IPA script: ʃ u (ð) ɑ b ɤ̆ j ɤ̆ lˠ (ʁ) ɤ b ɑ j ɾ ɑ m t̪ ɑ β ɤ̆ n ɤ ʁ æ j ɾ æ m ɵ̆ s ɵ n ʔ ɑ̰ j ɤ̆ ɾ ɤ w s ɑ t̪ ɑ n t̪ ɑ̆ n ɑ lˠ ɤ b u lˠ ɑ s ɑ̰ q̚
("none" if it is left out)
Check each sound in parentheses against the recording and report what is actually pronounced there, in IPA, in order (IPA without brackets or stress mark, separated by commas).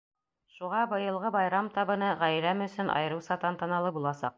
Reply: ʁ, ʁ